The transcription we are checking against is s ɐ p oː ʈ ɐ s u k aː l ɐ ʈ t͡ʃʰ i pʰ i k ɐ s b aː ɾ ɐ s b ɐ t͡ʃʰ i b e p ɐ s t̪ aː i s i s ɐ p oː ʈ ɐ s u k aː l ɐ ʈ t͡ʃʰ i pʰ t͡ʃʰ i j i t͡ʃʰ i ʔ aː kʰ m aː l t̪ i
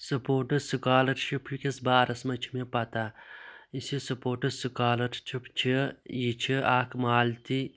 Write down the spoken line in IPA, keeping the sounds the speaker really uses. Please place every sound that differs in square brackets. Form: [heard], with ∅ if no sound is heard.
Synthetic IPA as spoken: s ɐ p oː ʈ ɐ s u k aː l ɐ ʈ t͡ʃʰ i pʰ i k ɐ s b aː ɾ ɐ s [m] ɐ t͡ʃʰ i [m] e p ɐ [∅] t̪ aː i s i s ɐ p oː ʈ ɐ s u k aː l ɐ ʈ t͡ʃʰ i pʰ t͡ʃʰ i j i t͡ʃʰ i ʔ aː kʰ m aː l t̪ i